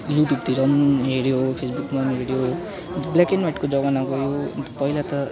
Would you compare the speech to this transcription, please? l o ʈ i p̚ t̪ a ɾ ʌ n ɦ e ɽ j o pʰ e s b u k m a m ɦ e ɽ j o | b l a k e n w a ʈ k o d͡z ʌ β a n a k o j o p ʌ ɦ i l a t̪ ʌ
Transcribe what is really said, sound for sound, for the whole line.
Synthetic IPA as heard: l u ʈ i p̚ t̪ i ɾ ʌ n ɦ e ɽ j o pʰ e s b u k m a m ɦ e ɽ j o | b l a k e n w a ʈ k o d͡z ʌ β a n a k o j o p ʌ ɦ i l a t̪ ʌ